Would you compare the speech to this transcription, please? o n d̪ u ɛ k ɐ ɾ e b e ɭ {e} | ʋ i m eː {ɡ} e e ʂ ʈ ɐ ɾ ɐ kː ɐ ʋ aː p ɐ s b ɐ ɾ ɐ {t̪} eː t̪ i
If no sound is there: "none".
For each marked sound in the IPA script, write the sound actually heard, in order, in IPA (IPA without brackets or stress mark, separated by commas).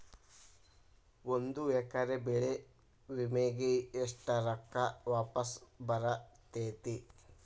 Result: e, ɡ, t̪